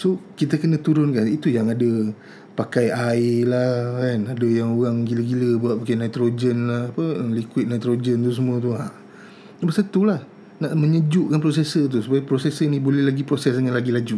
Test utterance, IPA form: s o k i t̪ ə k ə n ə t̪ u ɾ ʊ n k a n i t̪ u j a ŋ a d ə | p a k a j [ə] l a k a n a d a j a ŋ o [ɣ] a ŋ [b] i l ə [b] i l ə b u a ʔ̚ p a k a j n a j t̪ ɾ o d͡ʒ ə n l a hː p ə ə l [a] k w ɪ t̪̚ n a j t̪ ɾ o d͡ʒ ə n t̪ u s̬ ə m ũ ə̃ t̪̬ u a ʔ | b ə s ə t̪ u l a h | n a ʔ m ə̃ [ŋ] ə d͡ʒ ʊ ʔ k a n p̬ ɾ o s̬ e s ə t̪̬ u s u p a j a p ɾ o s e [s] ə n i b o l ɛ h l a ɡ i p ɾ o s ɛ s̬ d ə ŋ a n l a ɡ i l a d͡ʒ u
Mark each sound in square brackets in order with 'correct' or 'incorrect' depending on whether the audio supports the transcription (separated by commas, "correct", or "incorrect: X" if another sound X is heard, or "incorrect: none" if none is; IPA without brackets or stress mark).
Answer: incorrect: a, correct, incorrect: ɡ, incorrect: ɡ, incorrect: i, incorrect: ɲ, correct